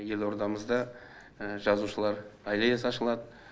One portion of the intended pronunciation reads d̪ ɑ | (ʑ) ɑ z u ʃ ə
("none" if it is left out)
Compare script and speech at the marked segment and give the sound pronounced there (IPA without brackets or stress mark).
ʒ